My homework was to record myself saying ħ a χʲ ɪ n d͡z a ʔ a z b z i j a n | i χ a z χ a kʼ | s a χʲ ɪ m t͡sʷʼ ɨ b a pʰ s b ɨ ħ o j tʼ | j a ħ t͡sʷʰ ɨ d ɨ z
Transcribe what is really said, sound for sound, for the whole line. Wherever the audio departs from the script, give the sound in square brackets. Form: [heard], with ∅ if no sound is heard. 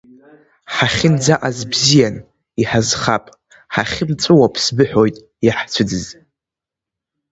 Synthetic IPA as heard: ħ a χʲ ɪ n d͡z a ʔ a z b z i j a n | i [ħ] a z χ a [pʼ] | [ħ] a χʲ ɪ m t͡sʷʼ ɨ [w] a pʰ s b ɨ ħ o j tʼ | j a ħ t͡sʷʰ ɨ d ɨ z